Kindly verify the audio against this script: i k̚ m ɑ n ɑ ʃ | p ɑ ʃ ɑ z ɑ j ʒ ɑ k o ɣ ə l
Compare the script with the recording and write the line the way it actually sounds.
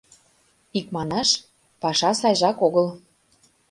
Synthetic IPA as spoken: i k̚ m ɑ n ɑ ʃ | p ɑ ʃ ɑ s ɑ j ʒ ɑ k o ɣ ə l

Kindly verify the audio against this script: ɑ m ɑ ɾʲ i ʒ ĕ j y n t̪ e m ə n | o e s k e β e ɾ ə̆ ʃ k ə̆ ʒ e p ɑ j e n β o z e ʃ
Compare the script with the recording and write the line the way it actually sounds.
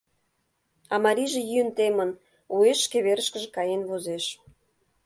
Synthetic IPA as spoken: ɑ m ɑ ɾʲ i ʒ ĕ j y n t̪ e m ə n | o e ʃ k e β e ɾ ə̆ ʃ k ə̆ ʒ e k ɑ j e n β o z e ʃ

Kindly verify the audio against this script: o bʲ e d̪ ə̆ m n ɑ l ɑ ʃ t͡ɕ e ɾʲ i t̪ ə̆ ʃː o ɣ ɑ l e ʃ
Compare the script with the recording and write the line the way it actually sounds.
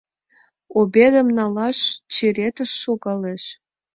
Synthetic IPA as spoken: o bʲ e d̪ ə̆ m n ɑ l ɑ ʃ t͡ɕ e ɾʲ e t̪ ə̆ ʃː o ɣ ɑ l e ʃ

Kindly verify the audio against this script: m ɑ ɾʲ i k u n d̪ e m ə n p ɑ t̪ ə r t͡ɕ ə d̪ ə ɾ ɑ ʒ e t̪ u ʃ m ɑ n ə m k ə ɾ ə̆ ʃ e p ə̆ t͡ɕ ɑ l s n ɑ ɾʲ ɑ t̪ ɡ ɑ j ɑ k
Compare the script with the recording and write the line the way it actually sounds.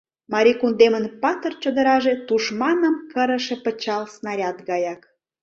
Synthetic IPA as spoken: m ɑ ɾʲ i k u n d̪ e m ə n p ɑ t̪ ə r t͡ɕ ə d̪ ə ɾ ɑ ʒ e t̪ u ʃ m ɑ n ə m k ə ɾ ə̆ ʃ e p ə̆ t͡ɕ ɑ l s n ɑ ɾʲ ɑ t̪ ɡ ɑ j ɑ k

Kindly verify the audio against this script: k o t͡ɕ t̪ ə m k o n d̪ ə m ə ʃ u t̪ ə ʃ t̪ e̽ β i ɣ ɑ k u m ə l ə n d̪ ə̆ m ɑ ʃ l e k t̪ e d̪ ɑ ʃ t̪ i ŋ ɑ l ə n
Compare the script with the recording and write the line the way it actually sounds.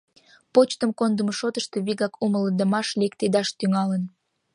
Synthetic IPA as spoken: p o t͡ɕ t̪ ə m k o n d̪ ə m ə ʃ o t̪ ə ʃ t̪ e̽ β i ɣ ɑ k u m ə l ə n d̪ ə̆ m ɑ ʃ l e k t̪ e d̪ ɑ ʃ t̪ y ŋ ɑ l ə n

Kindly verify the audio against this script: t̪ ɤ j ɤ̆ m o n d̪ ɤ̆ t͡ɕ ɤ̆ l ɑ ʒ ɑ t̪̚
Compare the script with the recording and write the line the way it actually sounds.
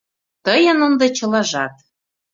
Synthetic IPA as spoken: t̪ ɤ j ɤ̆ n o n d̪ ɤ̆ t͡ɕ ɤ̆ l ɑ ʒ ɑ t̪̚

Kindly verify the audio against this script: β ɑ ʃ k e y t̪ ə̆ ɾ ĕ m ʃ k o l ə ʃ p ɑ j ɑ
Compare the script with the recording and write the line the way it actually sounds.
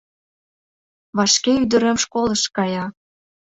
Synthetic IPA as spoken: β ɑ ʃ k e y d̪ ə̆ ɾ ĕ m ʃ k o l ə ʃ k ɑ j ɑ

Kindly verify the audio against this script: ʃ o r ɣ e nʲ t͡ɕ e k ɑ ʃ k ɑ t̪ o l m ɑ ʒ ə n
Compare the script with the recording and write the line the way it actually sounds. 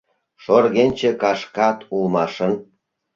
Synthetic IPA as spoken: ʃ o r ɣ e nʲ t͡ɕ e k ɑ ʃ k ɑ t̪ u l m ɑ ʃ ə n

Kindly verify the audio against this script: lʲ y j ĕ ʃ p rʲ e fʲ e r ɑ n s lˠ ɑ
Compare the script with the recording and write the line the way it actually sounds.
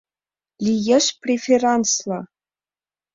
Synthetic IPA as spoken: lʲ i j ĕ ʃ p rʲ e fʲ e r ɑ n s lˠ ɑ

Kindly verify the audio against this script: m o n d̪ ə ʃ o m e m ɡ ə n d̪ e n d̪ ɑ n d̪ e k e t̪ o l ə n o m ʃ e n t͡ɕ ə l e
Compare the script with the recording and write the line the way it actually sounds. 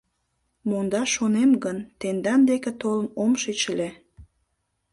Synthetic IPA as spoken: m o n d̪ ɑ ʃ o n e m ɡ ə n t̪ e n d̪ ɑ n d̪ e k e t̪ o l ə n o m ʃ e t͡ɕ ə l e

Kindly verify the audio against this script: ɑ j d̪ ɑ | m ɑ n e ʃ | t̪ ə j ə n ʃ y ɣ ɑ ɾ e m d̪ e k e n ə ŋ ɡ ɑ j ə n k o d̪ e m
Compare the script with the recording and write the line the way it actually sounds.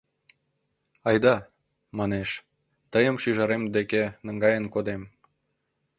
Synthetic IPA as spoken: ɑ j d̪ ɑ | m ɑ n e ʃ | t̪ ə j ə m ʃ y ʒ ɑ ɾ e m d̪ e k e n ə ŋ ɡ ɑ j ə n k o d̪ e m

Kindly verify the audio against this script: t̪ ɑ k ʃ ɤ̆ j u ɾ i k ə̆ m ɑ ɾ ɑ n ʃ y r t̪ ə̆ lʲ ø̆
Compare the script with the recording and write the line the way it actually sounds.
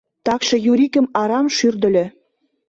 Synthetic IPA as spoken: t̪ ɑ k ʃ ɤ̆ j u ɾ i k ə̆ m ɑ ɾ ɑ m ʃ y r d̪ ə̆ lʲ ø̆

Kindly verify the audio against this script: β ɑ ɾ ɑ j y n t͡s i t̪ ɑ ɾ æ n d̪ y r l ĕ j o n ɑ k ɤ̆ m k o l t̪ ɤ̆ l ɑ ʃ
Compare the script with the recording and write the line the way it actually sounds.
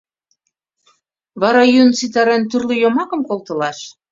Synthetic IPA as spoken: β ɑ ɾ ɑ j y n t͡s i t̪ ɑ ɾ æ n t̪ y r l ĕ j o m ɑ k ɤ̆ m k o l t̪ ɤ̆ l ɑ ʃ

